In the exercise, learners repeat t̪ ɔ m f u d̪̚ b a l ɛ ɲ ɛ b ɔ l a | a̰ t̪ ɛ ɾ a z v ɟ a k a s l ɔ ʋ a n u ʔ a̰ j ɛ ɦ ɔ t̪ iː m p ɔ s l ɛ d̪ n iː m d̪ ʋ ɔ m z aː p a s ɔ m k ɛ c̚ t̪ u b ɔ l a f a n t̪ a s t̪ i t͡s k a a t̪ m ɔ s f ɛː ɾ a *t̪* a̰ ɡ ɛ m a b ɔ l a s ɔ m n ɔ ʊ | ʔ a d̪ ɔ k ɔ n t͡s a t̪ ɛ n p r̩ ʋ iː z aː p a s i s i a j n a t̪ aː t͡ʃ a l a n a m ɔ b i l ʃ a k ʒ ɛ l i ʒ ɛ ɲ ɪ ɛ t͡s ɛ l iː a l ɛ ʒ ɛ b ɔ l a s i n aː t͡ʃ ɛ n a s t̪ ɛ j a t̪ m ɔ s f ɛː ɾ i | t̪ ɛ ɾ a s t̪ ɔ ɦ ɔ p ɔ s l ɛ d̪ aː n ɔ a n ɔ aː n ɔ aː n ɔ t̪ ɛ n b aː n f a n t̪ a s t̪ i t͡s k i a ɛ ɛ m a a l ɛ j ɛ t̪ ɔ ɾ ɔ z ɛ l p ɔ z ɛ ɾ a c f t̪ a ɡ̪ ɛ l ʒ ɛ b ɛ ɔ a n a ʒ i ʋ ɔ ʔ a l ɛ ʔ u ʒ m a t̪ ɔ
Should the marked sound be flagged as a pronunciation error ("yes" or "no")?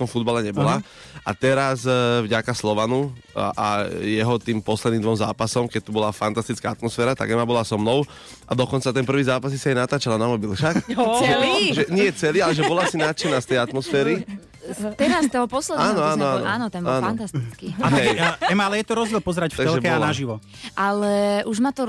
no